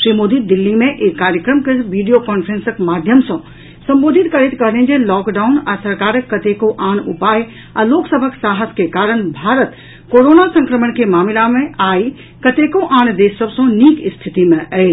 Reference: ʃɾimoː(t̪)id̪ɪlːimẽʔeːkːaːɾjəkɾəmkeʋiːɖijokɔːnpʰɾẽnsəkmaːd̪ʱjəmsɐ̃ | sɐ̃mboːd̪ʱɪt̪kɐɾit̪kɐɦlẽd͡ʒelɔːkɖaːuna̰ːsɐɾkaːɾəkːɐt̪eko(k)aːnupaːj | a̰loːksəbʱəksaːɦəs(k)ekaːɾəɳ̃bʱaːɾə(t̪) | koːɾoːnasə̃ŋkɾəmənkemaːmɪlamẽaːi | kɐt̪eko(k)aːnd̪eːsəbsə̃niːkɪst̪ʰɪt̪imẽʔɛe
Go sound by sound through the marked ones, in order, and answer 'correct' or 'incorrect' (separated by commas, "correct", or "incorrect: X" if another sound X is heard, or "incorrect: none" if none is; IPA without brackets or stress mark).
incorrect: d̪, incorrect: ʔ, correct, correct, incorrect: ʔ